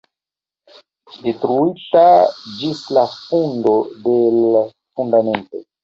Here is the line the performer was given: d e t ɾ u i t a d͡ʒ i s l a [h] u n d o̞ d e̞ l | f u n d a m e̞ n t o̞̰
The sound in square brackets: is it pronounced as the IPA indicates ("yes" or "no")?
no